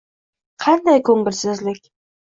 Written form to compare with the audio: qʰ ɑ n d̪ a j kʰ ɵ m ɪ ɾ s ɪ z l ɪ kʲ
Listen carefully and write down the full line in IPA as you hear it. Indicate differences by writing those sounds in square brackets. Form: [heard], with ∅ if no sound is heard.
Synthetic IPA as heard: qʰ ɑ n d̪ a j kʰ ɵ [ŋ] ɪ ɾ s ɪ z l ɪ kʲ